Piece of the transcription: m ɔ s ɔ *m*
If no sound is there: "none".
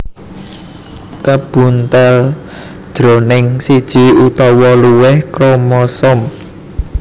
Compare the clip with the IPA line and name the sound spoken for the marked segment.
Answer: m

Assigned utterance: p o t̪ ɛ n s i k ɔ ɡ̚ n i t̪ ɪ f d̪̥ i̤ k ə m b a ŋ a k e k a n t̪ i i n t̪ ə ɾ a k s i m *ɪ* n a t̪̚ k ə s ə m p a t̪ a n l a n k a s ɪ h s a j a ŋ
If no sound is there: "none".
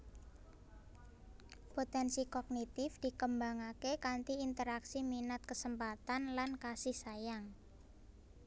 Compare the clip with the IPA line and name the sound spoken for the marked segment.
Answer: i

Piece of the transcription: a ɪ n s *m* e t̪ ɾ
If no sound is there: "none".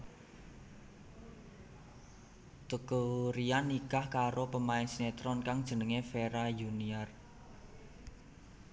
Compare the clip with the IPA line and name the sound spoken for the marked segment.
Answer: n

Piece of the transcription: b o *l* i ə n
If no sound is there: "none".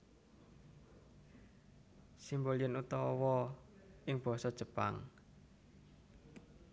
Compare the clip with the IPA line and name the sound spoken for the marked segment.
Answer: l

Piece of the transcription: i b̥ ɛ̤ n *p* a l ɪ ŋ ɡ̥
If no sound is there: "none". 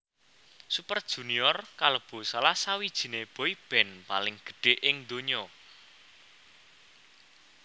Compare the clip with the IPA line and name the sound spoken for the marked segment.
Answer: p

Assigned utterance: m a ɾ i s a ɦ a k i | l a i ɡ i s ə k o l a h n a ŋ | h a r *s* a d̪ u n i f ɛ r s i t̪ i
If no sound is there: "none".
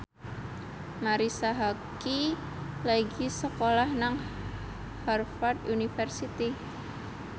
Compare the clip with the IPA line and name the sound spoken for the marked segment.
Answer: f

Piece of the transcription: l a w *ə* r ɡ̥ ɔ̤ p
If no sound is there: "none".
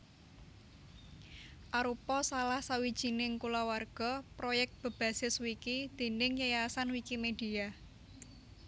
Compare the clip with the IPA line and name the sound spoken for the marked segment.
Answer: a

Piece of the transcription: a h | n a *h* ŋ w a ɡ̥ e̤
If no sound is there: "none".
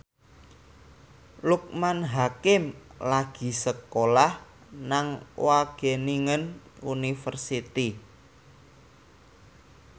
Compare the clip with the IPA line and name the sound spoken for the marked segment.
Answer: none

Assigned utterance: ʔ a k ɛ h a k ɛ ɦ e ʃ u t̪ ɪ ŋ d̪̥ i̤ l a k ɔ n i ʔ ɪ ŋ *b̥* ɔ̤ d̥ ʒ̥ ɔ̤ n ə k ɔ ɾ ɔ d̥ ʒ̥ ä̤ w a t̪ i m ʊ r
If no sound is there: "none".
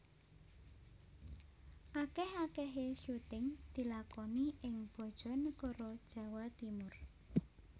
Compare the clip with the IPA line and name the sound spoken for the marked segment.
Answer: b̥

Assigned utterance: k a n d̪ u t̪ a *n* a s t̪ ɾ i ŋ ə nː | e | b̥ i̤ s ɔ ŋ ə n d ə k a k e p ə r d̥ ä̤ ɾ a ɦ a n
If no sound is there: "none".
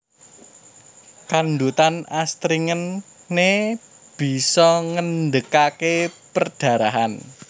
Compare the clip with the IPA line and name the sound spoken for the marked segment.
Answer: n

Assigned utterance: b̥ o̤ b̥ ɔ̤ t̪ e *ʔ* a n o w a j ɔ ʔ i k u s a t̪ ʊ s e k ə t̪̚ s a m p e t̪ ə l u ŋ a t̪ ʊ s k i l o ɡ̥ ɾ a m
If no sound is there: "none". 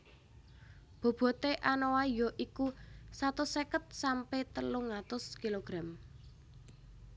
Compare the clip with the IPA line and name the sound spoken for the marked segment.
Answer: ʔ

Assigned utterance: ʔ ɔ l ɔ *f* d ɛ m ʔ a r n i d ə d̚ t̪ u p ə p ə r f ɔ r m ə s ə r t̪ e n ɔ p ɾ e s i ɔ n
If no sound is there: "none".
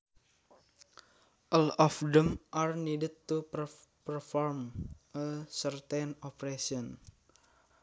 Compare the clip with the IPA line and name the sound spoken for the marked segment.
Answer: f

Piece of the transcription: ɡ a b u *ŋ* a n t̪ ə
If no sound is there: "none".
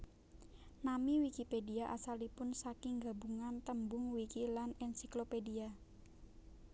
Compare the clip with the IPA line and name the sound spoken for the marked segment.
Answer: ŋ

